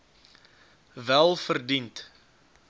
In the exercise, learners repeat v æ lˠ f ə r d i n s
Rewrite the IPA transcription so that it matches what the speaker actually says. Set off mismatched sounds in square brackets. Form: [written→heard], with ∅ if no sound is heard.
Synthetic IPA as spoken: v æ lˠ f ə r d i n [s→t]